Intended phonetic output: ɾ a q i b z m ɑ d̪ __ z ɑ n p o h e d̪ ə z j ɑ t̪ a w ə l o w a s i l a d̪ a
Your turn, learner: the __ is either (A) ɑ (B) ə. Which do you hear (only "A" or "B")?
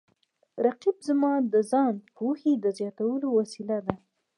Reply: B